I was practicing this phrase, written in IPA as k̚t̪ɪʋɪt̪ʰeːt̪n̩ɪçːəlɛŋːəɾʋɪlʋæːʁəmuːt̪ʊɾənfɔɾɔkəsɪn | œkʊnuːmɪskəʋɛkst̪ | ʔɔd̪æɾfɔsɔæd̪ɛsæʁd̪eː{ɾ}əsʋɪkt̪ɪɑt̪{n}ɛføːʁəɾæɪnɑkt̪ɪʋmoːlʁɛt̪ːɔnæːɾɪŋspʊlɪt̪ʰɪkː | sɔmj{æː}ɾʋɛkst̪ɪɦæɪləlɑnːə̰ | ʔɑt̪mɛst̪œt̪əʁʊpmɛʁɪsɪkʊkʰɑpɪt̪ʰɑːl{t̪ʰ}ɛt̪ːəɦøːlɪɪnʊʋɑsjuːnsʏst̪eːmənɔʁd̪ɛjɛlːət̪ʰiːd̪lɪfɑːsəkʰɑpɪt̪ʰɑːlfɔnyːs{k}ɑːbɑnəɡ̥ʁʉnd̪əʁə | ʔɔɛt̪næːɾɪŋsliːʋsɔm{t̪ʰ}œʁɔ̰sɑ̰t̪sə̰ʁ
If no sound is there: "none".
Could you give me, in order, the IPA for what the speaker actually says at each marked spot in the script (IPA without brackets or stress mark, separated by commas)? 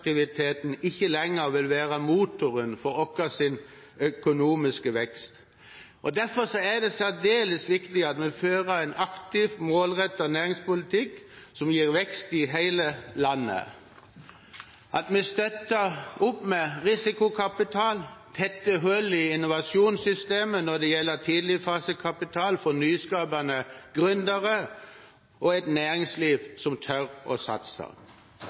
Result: l, m, iː, t̪ʰ, k, t̪ʰ